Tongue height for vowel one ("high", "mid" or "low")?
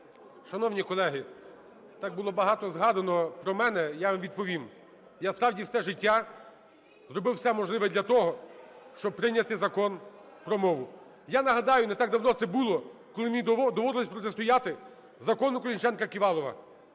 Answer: low